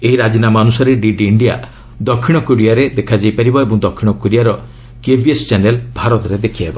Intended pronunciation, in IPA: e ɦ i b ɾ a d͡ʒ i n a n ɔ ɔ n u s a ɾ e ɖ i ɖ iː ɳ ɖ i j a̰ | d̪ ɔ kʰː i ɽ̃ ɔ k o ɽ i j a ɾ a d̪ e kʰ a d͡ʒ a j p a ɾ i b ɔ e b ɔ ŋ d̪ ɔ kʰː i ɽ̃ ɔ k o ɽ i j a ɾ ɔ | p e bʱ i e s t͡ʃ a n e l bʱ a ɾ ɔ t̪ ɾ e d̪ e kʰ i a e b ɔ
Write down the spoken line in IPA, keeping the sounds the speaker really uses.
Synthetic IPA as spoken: e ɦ i ɾ a d͡ʒ i n a m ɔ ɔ n u s a ɾ e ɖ i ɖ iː ɳ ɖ i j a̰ | d̪ ɔ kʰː i ɽ̃ ɔ k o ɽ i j a ɾ e d̪ e kʰ a d͡ʒ a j p a ɾ i b ɔ e b ɔ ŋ d̪ ɔ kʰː i ɽ̃ ɔ k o ɽ i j a ɾ ɔ | k e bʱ i e s t͡ʃ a n e l bʱ a ɾ ɔ t̪ ɾ e d̪ e kʰ i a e b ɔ